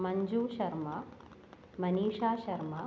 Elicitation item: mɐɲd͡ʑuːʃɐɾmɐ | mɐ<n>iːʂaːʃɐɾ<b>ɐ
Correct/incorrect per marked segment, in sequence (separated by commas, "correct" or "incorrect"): correct, incorrect